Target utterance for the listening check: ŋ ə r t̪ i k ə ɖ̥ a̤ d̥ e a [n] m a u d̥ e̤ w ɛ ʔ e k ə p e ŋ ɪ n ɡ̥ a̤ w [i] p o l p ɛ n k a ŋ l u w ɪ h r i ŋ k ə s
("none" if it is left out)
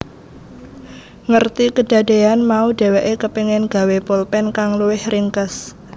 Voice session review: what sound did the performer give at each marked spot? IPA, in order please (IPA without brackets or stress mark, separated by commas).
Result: n, e